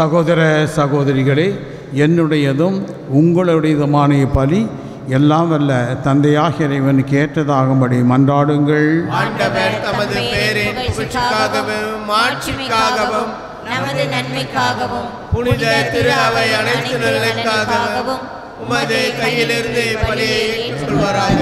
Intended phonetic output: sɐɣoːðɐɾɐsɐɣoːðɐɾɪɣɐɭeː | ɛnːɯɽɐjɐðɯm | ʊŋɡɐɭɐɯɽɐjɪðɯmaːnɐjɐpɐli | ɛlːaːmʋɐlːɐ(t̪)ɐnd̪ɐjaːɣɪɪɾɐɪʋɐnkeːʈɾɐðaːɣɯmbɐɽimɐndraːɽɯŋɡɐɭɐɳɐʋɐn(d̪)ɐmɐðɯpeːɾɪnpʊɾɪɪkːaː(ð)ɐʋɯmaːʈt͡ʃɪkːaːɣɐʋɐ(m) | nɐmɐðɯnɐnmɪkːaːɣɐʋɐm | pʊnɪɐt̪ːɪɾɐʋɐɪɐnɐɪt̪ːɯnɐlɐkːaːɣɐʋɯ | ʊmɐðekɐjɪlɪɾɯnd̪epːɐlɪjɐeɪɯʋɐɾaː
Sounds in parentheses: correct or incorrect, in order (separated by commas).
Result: correct, incorrect, incorrect, correct